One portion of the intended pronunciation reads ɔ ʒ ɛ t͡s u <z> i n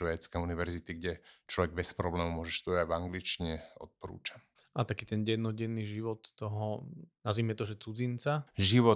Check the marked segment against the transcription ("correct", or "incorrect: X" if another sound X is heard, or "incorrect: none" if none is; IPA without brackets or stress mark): incorrect: d͡z